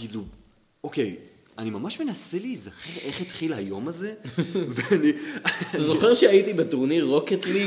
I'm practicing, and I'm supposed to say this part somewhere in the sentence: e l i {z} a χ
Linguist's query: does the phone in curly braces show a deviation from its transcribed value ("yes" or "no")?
no